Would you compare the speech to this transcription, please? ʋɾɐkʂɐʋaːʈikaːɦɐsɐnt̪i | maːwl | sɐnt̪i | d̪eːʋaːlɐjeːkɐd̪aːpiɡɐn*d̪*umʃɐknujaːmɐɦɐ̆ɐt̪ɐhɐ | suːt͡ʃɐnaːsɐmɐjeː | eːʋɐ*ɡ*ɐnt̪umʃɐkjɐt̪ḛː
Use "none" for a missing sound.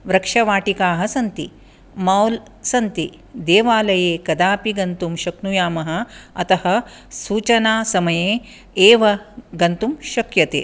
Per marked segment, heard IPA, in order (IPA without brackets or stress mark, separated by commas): t̪, ɡ